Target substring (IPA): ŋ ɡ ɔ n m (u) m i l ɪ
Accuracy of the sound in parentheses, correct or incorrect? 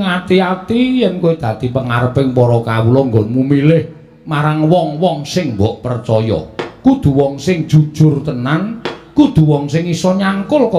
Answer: correct